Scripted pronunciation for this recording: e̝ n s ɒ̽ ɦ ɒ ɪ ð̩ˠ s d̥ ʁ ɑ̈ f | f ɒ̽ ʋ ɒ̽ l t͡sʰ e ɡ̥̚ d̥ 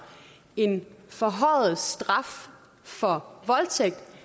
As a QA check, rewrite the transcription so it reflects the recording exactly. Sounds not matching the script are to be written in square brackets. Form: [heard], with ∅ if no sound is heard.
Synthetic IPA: e̝ n [f] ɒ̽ ɦ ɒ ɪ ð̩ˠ s d̥ ʁ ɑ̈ f | f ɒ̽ ʋ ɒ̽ l t͡sʰ e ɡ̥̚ d̥